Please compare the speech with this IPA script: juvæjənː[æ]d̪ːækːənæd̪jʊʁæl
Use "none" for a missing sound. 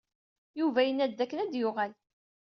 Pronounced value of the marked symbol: æ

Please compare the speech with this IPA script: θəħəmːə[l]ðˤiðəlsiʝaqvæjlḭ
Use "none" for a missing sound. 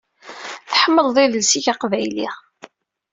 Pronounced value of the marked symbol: l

